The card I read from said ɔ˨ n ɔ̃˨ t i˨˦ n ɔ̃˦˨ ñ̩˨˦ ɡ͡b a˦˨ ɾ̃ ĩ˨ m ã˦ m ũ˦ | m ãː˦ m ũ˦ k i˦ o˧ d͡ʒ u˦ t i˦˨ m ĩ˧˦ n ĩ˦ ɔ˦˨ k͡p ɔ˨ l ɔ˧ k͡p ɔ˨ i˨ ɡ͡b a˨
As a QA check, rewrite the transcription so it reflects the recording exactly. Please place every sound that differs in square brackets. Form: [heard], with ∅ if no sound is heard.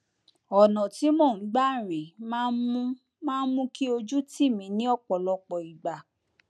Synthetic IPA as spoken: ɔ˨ n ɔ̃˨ t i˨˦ [m] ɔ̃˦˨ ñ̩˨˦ ɡ͡b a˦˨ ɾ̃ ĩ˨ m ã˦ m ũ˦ | m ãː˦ m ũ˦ k i˦ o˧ d͡ʒ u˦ t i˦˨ m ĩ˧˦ n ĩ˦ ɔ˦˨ k͡p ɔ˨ l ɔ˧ k͡p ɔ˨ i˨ ɡ͡b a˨

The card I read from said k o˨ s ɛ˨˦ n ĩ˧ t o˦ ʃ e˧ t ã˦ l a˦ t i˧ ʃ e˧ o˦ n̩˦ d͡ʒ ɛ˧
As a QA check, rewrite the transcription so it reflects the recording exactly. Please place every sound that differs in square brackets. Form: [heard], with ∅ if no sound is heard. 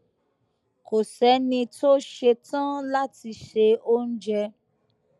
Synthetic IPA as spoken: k o˨ s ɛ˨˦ n ĩ˧ t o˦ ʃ e˧ t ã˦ l a˦ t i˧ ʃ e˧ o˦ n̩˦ d͡ʒ ɛ˧

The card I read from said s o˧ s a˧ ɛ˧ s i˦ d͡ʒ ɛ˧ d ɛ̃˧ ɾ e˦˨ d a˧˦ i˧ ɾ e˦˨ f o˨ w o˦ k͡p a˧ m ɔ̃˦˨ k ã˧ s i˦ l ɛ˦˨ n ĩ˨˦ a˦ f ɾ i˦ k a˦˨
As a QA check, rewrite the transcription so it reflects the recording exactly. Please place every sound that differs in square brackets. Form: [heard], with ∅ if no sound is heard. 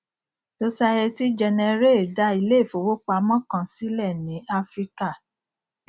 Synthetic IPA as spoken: s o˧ s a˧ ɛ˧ [t] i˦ d͡ʒ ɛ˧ [n] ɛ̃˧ ɾ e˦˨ d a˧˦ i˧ [l] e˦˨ f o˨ w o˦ k͡p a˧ m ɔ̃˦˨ k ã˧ s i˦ l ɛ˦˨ n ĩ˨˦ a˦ f ɾ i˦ k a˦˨

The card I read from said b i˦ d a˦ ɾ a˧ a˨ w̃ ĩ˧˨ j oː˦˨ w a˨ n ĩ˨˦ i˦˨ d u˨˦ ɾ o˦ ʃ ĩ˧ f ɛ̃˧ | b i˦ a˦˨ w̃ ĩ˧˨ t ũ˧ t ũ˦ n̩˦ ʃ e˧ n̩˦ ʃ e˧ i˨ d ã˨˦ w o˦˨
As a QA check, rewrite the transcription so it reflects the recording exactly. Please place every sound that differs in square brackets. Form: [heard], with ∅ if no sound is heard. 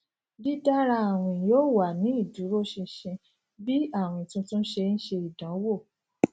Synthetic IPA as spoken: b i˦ d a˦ ɾ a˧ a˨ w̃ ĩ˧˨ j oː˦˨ w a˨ n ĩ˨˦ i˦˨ d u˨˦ ɾ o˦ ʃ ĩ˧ [ʃ] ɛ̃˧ | b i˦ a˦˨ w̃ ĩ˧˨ t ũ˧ t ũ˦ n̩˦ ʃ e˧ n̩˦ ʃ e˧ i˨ d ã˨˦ w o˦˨

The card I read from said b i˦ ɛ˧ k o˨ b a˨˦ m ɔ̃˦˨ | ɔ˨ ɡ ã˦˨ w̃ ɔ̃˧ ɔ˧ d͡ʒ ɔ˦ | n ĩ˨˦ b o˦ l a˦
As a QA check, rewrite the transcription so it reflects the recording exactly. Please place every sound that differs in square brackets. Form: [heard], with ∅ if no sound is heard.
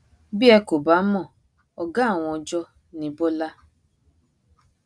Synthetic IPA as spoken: b i˦ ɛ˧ k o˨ b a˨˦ m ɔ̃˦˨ | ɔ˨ ɡ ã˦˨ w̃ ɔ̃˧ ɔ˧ d͡ʒ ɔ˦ | n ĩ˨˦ b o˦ l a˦

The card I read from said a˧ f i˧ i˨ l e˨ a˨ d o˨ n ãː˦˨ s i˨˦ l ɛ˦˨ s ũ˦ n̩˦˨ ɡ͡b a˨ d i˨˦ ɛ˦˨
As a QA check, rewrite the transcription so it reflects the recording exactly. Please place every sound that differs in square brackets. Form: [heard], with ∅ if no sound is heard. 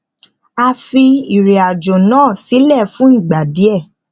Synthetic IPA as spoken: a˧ f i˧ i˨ [ɾ] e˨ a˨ [d͡ʒ] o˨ n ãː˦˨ s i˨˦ l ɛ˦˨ [f] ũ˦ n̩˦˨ ɡ͡b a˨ d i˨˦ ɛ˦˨

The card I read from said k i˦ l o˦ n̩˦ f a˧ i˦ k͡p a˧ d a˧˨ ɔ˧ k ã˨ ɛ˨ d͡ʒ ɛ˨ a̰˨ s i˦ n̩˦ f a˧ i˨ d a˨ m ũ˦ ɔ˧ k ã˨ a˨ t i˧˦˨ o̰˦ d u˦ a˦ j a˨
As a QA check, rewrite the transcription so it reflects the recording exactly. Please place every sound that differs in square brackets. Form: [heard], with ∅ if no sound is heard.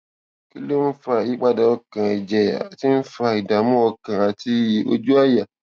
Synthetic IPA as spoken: k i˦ l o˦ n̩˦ f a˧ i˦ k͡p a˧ d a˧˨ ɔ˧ k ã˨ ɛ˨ d͡ʒ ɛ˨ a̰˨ [t] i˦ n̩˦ f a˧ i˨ d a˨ m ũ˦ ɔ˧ k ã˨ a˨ t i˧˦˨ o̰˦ [d͡ʒ] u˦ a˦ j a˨

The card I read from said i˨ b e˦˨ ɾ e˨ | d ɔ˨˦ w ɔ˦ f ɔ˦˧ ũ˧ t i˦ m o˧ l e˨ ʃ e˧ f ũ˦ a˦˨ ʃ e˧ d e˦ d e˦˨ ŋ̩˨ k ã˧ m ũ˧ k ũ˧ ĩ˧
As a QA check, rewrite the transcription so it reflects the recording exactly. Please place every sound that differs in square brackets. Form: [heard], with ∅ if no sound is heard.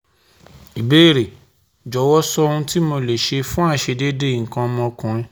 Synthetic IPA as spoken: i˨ b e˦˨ ɾ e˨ | [d͡ʒ] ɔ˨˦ w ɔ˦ [s] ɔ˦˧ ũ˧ t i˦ m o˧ l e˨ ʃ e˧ f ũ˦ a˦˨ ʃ e˧ d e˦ d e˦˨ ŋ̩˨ k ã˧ m [ɔ̃˧] k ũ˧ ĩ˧

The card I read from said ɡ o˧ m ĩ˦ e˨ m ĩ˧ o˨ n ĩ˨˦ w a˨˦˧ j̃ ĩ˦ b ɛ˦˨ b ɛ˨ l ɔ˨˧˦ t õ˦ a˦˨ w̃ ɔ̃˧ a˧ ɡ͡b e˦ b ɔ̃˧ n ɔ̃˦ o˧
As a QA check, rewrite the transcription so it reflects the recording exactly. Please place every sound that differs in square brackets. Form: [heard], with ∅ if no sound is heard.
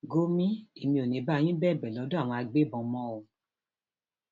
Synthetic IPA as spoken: ɡ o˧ m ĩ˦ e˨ m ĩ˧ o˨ n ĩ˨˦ [b] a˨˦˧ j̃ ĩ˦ b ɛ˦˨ b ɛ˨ l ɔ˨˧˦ [d] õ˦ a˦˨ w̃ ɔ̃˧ a˧ ɡ͡b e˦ b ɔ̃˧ [m] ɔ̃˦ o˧

